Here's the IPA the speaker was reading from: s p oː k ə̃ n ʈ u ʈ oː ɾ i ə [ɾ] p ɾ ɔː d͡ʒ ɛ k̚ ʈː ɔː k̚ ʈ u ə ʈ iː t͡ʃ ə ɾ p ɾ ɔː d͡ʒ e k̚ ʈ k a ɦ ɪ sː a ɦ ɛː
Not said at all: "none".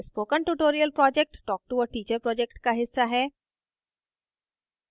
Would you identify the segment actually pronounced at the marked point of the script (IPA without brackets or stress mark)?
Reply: l